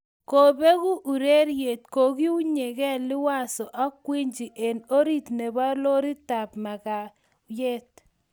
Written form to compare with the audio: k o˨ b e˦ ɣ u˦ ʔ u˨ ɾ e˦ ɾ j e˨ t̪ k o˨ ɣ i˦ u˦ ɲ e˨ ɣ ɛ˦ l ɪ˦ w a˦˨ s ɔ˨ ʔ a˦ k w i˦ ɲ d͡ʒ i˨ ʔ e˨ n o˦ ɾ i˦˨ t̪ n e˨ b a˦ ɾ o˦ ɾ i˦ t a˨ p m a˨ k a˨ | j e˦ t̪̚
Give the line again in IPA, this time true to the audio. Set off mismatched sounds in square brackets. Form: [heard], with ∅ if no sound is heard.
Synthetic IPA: k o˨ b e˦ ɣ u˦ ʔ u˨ ɾ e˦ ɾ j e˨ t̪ k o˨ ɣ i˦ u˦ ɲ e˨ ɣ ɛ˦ l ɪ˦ w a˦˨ s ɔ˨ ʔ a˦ k w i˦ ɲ d͡ʒ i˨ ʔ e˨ n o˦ ɾ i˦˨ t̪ n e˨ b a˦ [l] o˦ ɾ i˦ t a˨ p m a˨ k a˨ | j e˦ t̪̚